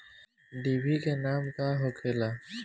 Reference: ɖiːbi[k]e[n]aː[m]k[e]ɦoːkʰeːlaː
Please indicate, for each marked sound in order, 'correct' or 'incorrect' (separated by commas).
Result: correct, correct, correct, incorrect